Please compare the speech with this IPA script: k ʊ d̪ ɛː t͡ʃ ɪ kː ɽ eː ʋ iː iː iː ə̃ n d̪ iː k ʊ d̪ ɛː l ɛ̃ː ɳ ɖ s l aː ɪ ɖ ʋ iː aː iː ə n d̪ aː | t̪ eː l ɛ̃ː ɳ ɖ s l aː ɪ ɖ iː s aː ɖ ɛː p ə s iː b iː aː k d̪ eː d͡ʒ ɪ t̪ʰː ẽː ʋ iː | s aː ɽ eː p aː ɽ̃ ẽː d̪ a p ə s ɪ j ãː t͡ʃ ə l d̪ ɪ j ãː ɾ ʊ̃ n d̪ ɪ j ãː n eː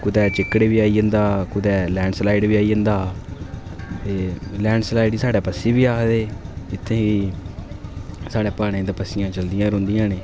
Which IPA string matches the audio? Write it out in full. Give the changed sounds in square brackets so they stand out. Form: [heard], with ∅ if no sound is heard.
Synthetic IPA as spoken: k ʊ d̪ ɛː t͡ʃ ɪ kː ɽ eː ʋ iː [aː] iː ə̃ n d̪ [aː] k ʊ d̪ ɛː l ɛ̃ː ɳ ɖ s l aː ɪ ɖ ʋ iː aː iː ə n d̪ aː | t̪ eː l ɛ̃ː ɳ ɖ s l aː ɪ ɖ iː s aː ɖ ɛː p ə s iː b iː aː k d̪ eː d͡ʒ ɪ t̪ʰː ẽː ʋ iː | s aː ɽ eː p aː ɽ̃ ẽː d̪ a p ə s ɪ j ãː t͡ʃ ə l d̪ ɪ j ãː ɾ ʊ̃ n d̪ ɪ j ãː n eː